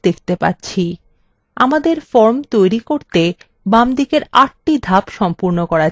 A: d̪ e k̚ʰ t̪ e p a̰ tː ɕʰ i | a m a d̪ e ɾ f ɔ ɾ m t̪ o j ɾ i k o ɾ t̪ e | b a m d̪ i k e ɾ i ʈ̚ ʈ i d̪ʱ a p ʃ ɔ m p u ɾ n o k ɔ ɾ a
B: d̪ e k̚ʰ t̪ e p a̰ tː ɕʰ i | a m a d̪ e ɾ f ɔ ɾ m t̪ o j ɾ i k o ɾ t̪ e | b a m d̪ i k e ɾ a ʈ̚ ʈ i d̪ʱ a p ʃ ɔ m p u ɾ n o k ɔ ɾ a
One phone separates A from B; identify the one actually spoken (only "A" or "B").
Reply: B